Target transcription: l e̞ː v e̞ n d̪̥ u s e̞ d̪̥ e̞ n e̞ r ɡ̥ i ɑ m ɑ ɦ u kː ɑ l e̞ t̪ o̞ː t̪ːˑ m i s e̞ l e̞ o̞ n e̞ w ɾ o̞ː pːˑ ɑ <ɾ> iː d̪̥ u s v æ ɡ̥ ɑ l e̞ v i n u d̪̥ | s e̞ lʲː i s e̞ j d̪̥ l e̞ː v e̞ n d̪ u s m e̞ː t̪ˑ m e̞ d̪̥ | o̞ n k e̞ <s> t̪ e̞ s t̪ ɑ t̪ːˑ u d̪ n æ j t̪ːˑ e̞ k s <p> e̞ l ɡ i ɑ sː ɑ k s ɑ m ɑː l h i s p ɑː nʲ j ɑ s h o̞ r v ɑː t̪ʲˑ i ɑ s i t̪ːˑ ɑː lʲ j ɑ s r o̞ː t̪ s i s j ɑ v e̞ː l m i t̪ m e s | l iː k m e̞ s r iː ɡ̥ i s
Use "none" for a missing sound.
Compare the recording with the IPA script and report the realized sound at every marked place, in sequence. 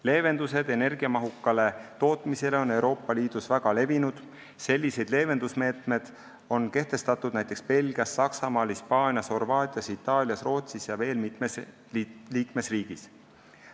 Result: l, h, p

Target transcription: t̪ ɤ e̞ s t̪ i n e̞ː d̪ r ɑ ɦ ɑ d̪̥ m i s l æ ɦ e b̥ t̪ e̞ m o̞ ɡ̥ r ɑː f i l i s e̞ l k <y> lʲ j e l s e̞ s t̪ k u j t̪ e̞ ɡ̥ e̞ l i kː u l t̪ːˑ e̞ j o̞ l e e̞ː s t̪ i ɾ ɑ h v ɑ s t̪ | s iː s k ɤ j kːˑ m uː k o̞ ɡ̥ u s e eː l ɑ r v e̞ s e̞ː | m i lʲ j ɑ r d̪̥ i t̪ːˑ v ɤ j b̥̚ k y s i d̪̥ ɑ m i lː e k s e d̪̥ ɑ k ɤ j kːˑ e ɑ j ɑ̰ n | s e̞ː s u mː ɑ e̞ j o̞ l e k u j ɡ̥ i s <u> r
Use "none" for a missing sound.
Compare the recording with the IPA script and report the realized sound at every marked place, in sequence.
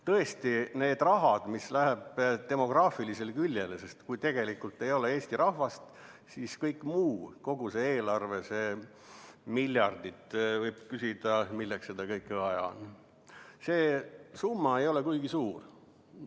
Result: y, uː

